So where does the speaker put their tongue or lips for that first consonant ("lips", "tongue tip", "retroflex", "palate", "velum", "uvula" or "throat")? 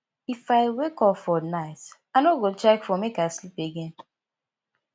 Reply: lips